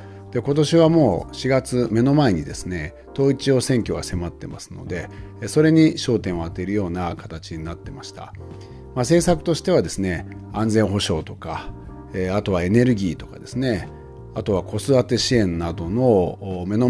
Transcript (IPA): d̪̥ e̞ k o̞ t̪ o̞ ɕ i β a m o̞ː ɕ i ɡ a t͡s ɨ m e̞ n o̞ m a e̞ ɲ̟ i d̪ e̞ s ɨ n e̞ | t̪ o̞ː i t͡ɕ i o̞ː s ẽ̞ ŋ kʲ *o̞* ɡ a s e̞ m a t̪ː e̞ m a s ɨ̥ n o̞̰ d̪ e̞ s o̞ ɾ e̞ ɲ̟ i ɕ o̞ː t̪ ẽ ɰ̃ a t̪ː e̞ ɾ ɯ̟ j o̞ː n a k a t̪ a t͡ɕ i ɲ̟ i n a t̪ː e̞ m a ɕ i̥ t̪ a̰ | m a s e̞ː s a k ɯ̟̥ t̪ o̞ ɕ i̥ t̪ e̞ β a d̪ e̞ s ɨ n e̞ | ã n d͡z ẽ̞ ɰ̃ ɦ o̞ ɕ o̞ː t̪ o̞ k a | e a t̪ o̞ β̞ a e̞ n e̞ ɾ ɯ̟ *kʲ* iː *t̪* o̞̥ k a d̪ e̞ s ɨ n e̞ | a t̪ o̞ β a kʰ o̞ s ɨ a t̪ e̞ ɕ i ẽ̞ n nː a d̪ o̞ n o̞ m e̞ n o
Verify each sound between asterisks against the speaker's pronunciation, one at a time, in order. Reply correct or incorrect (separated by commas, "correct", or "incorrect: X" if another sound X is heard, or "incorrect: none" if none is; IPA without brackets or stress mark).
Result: correct, incorrect: ɡʲ, correct